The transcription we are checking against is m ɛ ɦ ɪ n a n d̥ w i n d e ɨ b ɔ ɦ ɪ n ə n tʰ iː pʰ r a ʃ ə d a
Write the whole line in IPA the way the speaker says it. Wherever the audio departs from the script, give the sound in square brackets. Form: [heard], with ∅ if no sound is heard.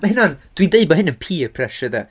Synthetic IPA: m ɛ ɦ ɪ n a n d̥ w i n d e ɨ b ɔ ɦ ɪ n ə n [pʰ] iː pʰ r [ɛ] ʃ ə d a